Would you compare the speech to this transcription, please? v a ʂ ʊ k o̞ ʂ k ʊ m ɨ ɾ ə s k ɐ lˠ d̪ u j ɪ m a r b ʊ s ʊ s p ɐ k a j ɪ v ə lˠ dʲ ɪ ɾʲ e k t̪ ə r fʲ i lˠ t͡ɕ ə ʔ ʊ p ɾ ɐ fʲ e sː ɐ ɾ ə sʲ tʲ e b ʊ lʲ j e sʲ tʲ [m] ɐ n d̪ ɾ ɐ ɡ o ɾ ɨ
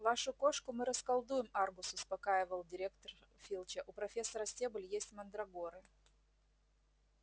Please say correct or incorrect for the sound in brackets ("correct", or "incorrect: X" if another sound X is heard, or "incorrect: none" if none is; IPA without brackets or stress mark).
correct